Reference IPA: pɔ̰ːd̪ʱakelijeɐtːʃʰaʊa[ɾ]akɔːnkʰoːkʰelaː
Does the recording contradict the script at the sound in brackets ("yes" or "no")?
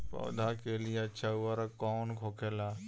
no